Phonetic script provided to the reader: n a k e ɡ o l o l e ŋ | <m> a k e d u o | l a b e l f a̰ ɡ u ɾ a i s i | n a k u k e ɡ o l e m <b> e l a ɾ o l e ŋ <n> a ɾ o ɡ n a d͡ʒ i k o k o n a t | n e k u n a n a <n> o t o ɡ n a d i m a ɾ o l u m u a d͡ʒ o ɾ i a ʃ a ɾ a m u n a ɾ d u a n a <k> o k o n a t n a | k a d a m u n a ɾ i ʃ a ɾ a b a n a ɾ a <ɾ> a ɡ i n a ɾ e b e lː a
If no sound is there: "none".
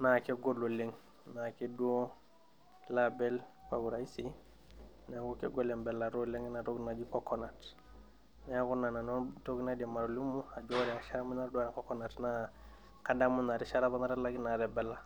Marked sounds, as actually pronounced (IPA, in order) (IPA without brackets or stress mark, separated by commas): n, b, n, n, k, l